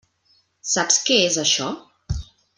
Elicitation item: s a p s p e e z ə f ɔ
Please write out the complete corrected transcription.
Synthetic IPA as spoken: s a p s k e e z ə ʃ ɔ